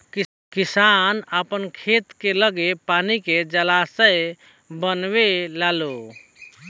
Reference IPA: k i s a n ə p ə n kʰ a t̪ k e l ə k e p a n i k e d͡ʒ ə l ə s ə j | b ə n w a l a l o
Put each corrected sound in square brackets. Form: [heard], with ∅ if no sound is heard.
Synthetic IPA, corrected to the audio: k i s a n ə p ə n kʰ [e] t̪ k e l ə [ɡ] e p a n i k e d͡ʒ ə l [a] s ə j | b ə n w [e] l a l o